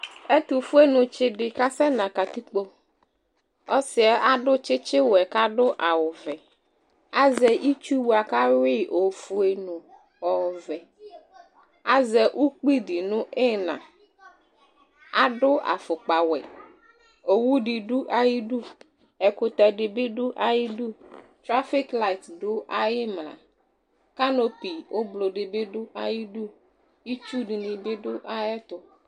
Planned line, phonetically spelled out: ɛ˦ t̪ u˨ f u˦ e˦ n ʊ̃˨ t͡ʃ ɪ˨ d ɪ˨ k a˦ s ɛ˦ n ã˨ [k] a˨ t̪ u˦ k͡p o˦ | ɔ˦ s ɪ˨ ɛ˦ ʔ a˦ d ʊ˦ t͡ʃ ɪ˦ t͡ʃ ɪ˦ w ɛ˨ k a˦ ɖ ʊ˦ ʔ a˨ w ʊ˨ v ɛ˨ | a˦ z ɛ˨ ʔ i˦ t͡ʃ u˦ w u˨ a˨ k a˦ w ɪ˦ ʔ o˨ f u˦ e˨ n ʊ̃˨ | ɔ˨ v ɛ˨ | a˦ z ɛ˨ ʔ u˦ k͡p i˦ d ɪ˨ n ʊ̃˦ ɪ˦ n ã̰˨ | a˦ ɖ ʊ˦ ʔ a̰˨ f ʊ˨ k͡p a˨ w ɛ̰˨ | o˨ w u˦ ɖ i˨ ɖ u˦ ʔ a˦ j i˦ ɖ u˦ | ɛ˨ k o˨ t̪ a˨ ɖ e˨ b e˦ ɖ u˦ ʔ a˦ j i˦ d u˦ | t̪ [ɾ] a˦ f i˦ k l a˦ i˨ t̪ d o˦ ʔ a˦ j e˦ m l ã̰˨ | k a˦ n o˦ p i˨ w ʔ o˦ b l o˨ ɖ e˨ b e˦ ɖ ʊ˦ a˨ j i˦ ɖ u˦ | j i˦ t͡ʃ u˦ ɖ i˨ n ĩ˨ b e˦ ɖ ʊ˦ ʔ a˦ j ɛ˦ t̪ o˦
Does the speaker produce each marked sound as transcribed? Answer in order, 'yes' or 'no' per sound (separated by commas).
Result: yes, yes